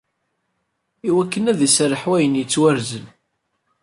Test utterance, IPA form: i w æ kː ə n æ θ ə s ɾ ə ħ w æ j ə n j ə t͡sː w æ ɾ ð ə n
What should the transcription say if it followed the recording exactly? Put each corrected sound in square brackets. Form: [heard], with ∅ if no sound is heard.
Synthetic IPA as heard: i w æ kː ə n æ [ð] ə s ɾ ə ħ w æ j ə n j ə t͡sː w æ ɾ [z] ə n